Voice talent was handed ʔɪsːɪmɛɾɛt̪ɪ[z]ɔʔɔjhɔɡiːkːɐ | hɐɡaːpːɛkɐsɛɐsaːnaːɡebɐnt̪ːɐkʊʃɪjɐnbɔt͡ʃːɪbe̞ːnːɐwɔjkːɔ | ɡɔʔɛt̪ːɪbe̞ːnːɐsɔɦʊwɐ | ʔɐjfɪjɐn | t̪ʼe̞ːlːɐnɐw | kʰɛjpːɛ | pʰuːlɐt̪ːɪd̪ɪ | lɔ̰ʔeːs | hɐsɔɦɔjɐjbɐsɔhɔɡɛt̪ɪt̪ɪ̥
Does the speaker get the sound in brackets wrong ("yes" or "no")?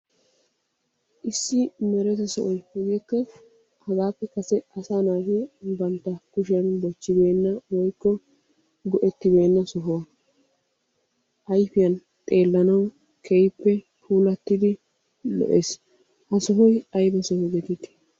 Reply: yes